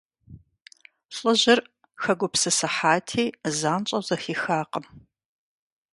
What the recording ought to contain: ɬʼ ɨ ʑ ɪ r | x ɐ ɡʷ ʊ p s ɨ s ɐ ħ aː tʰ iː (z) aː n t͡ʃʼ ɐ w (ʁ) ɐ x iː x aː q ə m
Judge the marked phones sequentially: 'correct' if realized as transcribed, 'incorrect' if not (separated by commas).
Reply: correct, incorrect